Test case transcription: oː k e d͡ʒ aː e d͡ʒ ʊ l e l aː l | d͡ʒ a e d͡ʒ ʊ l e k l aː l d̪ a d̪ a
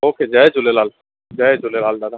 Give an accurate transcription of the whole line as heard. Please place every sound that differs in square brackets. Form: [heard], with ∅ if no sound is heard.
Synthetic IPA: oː k e d͡ʒ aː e d͡ʒ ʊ l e l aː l | d͡ʒ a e d͡ʒ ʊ l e [∅] l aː l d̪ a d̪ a